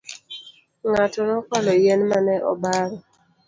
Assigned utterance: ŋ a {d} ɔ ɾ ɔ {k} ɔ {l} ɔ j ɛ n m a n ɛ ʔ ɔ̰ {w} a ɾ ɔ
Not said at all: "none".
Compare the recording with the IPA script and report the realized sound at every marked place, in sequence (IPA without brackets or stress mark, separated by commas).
t, k, l, b